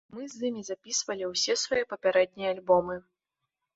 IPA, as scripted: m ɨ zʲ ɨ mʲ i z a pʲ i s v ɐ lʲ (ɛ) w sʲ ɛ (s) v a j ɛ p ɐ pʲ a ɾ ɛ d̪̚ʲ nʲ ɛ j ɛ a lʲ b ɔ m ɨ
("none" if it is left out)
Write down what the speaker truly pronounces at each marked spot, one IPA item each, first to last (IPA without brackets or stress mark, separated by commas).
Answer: i, s